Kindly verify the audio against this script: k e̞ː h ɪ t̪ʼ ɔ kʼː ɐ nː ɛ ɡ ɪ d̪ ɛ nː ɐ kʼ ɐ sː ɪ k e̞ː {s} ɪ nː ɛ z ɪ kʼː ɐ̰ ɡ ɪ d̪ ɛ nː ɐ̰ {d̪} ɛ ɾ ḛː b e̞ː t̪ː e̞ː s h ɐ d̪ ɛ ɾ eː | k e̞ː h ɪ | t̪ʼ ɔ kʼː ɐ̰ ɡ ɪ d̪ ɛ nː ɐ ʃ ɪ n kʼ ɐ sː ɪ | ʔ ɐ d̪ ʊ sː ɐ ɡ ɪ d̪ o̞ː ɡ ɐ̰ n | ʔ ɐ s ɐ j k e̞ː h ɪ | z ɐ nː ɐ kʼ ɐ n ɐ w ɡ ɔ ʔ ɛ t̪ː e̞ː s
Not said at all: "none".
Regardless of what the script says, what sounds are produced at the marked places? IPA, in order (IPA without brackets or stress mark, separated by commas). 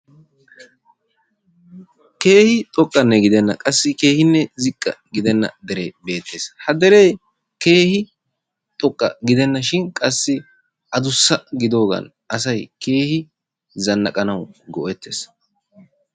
h, d̪